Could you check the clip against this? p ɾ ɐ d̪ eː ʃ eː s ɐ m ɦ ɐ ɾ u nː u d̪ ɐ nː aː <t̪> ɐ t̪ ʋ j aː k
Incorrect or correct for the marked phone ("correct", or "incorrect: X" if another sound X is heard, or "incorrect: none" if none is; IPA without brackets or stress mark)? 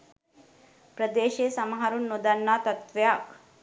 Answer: correct